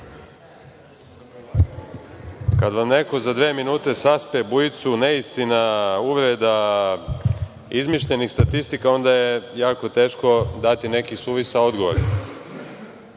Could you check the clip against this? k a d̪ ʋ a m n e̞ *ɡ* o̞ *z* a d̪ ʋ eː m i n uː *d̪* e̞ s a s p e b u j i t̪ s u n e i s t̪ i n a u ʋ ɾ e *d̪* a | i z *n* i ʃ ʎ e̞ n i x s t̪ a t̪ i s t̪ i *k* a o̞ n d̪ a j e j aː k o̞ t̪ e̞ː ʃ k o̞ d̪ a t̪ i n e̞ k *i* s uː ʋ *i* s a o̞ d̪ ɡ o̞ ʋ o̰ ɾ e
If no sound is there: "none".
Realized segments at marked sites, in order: k, z, t̪, d̪, m, k, i, i

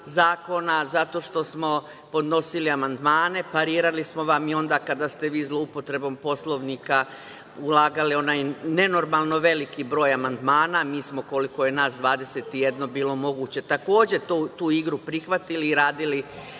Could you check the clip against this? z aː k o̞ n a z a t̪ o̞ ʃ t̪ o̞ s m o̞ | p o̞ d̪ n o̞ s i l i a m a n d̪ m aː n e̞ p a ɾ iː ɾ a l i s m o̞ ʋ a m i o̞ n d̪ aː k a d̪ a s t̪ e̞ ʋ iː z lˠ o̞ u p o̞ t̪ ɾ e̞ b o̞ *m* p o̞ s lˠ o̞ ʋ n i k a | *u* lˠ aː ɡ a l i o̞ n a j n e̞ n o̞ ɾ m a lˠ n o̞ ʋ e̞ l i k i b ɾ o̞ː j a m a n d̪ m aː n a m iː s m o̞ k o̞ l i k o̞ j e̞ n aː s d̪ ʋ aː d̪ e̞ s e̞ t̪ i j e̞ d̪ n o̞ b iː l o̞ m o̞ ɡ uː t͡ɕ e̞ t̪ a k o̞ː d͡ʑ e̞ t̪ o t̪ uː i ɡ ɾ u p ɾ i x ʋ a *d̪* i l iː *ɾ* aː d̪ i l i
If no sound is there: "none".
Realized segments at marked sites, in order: m, u, t̪, ɾ

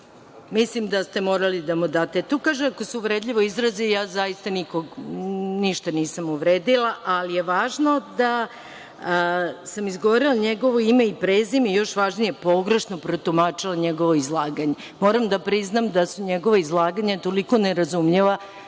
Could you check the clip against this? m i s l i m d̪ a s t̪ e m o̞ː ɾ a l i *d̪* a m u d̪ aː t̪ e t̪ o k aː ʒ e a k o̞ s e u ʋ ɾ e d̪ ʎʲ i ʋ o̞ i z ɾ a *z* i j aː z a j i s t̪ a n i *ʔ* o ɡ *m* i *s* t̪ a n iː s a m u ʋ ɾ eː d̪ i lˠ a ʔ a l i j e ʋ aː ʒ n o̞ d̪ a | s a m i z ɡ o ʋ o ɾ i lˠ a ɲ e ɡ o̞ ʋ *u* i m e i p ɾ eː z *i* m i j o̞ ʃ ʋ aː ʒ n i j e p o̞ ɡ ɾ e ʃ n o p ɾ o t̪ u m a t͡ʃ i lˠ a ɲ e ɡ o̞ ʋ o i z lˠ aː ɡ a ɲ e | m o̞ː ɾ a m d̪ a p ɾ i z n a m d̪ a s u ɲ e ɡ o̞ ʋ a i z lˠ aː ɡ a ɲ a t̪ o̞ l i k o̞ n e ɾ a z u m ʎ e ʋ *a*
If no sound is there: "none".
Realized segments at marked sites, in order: d̪, z, k, n, ʃ, o, i, a

